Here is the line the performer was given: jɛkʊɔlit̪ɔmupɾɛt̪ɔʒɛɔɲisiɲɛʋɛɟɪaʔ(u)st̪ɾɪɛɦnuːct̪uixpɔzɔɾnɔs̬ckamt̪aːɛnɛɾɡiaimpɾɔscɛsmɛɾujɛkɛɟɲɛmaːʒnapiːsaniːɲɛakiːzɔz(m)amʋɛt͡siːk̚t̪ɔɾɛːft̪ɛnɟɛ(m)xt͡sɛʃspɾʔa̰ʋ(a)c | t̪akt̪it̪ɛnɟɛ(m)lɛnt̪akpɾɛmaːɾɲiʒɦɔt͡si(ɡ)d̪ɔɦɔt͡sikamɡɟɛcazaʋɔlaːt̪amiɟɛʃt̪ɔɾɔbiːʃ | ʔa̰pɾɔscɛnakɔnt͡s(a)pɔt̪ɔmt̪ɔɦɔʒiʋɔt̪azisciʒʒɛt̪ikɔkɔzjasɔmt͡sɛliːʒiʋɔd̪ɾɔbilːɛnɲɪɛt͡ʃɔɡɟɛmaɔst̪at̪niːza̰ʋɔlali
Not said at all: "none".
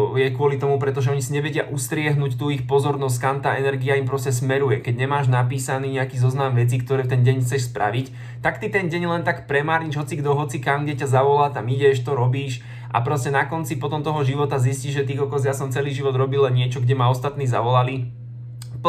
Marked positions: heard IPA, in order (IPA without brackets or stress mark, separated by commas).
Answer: u, n, ɲ, i, ɲ, ɡ, i